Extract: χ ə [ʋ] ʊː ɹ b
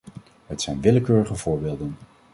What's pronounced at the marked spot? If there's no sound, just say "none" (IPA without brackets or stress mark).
v